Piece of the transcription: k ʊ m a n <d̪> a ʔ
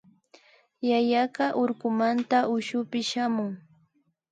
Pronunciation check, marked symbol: incorrect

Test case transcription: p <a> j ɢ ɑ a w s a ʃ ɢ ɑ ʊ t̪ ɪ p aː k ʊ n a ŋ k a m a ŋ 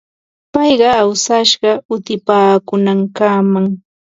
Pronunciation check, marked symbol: incorrect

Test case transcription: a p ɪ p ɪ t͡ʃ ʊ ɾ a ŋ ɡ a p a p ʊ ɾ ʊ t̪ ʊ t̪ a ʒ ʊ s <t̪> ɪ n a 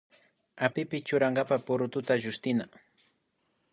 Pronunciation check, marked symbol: correct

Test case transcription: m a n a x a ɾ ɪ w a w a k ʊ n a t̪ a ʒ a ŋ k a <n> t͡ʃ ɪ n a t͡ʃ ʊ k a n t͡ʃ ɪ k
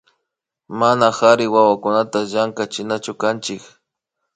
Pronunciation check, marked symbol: incorrect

